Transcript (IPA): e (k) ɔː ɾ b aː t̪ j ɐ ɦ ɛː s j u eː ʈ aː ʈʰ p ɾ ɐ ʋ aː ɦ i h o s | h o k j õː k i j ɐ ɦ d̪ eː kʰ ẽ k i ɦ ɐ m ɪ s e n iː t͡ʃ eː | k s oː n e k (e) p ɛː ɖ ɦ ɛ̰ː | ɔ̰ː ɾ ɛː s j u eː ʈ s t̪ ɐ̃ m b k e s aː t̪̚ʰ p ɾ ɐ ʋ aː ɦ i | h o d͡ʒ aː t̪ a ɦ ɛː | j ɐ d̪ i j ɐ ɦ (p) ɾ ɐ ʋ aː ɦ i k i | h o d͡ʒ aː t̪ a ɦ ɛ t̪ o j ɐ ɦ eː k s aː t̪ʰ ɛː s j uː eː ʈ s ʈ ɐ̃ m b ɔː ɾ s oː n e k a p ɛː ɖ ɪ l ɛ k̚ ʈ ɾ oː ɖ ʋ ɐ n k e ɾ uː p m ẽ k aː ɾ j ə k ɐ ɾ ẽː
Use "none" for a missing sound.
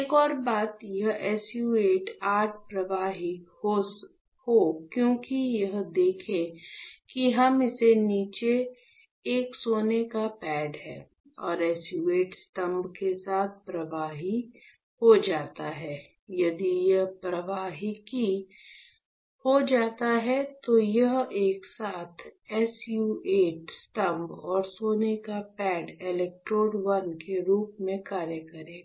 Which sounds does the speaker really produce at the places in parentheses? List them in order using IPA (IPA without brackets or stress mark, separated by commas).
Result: k, a, p